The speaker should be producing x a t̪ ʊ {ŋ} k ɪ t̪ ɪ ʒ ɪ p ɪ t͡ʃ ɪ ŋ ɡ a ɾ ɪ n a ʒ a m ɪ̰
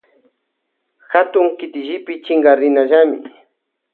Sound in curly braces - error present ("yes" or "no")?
no